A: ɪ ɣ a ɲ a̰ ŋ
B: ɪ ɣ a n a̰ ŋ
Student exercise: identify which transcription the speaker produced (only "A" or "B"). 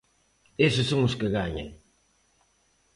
A